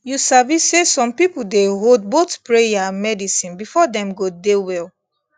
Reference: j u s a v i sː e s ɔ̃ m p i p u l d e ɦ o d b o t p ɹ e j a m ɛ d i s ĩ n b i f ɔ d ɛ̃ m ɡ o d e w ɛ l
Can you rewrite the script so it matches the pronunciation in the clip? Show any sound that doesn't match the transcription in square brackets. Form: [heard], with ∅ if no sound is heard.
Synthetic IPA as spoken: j u s a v i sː e s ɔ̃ m p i p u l d e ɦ o d b o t p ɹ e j a m ɛ d i s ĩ n b i f ɔ d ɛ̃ m ɡ o d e w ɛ l